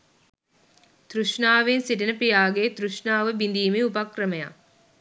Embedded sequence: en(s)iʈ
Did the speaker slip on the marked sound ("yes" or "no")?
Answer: no